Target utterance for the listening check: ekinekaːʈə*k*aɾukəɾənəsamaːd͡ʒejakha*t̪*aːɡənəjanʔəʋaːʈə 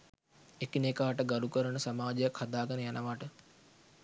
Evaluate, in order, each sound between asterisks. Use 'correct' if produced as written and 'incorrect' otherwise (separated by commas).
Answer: incorrect, incorrect